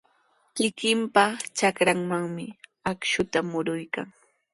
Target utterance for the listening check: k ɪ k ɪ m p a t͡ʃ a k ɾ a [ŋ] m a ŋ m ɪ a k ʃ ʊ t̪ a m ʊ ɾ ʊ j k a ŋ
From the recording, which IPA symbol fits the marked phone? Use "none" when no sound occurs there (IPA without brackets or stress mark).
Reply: ŋ